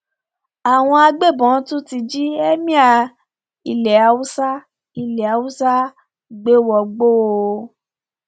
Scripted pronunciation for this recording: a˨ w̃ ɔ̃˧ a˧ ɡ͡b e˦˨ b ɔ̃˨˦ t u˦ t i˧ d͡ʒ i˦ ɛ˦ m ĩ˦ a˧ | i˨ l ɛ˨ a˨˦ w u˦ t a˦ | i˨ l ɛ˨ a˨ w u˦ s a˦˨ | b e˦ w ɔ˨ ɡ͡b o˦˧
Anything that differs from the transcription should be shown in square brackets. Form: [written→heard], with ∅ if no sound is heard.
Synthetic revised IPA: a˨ w̃ ɔ̃˧ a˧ ɡ͡b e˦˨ b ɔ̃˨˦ t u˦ t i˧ d͡ʒ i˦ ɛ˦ m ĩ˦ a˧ | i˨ l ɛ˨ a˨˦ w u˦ [t→s] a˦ | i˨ l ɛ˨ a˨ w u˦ s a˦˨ | [b→ɡ͡b] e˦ w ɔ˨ ɡ͡b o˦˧